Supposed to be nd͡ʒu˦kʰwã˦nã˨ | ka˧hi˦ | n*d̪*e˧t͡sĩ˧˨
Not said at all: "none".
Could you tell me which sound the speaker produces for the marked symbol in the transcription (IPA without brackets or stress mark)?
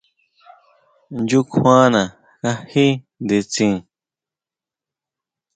d̪